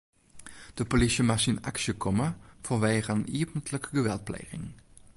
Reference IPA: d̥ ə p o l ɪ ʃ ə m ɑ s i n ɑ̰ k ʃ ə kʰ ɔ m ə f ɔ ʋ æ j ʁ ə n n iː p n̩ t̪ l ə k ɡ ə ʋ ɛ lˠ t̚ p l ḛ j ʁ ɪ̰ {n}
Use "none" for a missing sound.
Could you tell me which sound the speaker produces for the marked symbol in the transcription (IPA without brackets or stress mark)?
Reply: ŋ